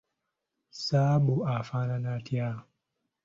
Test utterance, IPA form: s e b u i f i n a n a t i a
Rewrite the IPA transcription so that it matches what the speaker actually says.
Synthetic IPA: s a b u a f a n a n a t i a